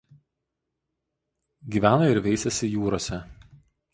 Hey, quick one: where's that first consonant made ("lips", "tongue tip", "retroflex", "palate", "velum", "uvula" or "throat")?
velum